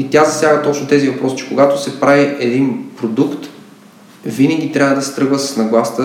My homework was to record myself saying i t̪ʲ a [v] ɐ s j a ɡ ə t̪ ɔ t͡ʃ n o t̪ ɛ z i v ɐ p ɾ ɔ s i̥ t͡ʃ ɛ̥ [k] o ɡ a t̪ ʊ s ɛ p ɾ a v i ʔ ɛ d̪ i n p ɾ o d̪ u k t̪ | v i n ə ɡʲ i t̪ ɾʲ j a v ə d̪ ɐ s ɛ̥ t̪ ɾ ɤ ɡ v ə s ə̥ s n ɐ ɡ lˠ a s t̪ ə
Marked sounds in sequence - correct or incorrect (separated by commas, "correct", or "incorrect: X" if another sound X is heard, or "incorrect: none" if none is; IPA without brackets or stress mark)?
incorrect: z, correct